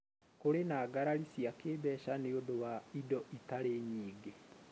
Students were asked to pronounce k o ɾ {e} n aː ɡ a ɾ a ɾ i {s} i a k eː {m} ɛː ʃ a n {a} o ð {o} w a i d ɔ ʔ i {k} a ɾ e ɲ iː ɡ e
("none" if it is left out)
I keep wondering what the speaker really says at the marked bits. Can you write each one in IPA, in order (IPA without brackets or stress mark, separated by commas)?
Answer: e, s, b, e, o, t